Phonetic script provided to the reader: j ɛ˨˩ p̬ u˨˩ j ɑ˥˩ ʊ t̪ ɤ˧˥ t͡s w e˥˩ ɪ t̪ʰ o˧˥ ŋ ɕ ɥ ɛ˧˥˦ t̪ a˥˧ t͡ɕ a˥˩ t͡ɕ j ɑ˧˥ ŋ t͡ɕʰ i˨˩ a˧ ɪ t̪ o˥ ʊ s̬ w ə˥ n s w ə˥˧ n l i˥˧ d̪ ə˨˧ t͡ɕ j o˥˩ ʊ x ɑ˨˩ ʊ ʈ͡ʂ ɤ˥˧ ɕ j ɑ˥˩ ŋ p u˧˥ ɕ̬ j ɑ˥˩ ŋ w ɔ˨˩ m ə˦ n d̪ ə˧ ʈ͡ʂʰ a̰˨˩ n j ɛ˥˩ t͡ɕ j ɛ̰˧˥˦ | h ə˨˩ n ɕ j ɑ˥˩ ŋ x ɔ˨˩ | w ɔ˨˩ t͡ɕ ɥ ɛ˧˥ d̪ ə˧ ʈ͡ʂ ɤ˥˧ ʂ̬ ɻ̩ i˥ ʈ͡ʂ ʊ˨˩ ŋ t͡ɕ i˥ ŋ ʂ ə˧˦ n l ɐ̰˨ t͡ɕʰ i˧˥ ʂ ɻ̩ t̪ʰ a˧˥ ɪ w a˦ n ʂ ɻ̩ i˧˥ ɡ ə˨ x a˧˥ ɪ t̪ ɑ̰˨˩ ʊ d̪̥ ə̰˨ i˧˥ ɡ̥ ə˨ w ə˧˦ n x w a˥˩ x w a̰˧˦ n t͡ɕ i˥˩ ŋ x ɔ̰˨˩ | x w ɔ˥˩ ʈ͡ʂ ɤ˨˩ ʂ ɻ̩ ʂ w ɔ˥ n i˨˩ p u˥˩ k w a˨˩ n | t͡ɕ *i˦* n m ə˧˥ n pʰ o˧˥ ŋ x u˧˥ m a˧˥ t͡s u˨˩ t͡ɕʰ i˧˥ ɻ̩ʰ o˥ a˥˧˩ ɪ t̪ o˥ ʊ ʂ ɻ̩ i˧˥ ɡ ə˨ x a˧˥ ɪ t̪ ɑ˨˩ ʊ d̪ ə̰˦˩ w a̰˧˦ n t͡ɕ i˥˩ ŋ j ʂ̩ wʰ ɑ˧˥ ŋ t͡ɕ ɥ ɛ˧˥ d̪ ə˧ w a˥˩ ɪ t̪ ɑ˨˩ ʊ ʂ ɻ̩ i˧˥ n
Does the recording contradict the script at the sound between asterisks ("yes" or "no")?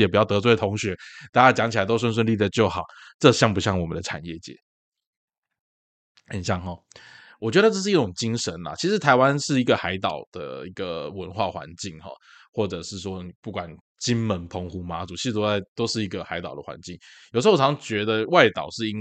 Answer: no